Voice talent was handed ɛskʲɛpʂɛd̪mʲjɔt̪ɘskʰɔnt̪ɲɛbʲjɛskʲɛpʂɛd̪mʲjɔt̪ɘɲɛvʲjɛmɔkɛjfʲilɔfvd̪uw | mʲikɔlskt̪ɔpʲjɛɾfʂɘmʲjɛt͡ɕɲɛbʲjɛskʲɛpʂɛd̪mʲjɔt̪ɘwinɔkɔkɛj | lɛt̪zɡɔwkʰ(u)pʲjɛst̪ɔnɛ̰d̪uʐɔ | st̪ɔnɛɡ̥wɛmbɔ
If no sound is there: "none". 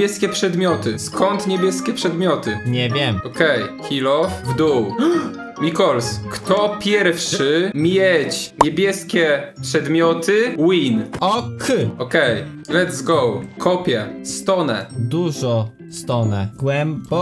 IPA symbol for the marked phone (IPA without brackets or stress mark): ɔ